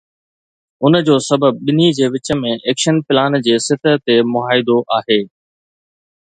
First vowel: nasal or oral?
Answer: oral